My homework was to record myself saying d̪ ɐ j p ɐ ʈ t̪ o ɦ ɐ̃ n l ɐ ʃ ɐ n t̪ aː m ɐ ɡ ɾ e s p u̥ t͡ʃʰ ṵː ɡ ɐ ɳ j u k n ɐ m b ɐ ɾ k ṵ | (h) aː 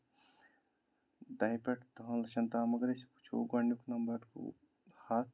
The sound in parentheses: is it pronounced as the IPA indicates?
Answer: yes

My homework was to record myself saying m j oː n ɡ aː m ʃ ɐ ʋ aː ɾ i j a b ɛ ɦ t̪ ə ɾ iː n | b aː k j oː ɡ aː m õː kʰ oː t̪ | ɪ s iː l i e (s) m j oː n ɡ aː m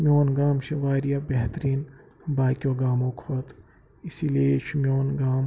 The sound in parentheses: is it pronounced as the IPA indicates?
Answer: no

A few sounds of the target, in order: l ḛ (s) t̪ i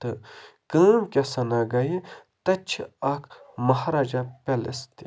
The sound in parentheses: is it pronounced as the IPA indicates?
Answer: yes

